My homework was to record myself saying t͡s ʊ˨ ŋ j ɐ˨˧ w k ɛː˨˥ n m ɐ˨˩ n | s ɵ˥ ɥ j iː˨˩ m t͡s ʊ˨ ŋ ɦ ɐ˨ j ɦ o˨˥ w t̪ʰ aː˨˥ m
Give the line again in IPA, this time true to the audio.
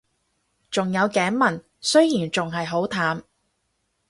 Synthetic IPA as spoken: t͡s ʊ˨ ŋ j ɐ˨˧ w k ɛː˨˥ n m ɐ˨˩ n | s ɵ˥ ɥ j iː˨˩ n t͡s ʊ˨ ŋ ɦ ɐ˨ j ɦ o˨˥ w t̪ʰ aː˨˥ m

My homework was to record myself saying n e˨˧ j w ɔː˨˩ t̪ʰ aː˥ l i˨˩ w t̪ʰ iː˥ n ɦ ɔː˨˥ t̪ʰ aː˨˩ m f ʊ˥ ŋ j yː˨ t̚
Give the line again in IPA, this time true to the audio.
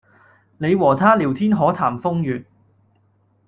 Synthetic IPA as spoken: n e˨˧ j w ɔː˨˩ t̪ʰ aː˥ l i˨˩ w t̪ʰ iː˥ n ɦ ɔː˨˥ t̪ʰ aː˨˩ m f ʊ˥ ŋ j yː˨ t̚

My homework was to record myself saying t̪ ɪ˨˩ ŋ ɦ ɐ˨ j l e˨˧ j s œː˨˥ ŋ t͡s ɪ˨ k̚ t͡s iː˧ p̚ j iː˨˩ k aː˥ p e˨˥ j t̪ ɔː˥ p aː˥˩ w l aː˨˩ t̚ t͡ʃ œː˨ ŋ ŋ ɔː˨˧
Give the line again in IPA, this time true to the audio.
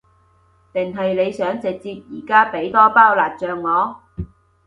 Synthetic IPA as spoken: t̪ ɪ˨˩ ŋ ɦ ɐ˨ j l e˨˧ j s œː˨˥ ŋ t͡s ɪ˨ k̚ t͡s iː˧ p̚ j iː˨˩ k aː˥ p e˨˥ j t̪ ɔː˥ p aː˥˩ w l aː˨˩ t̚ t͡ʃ œː˨ ŋ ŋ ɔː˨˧

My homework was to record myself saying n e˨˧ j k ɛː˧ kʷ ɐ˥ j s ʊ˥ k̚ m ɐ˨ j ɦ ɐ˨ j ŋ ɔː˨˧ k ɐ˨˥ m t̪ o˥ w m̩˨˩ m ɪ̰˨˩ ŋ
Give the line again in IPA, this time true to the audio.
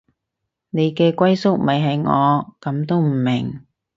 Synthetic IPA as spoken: n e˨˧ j k ɛː˧ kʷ ɐ˥ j s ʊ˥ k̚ m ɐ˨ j ɦ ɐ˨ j ŋ ɔː˨˧ k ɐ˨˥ m t̪ o˥ w m̩˨˩ m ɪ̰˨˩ ŋ

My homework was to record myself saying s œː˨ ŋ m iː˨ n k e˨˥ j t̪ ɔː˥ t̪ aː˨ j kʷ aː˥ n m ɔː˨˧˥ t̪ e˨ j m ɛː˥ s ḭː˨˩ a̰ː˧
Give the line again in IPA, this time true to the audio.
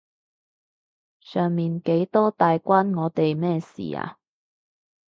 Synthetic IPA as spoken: s œː˨ ŋ m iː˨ n k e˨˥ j t̪ ɔː˥ t̪ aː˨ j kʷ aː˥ n ŋ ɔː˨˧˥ t̪ e˨ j m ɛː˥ s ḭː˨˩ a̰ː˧

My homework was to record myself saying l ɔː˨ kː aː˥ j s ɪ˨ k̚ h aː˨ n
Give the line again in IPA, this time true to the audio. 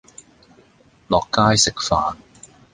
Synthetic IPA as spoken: l ɔː˨ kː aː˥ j s ɪ˨ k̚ f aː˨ n

